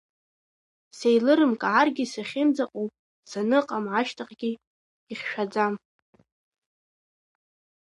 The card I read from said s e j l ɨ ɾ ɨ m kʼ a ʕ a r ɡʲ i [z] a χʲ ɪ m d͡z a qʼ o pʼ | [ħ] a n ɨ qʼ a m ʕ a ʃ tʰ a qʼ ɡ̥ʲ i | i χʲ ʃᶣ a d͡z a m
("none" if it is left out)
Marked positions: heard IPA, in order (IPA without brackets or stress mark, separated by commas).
s, s